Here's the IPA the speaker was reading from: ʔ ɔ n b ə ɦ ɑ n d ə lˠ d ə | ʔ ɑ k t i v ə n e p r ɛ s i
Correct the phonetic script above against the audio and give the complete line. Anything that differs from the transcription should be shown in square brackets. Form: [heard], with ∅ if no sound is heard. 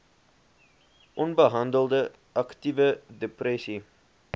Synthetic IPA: ʔ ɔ n b ə ɦ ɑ n d ə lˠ d ə | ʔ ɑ k t i v ə [d] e p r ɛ s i